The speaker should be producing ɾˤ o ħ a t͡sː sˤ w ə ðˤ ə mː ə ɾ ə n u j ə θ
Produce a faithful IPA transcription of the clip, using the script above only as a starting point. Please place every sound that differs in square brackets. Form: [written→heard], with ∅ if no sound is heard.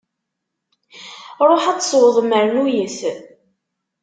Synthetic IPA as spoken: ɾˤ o ħ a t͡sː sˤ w ə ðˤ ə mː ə ɾ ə n u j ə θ